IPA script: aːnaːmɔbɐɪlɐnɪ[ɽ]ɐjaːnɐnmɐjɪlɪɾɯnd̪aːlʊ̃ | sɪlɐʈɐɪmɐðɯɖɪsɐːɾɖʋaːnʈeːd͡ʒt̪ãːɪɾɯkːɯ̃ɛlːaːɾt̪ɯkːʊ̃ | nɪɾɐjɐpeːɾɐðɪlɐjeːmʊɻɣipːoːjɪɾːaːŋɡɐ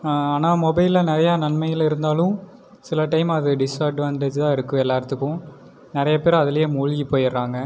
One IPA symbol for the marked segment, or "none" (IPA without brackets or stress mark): ɾ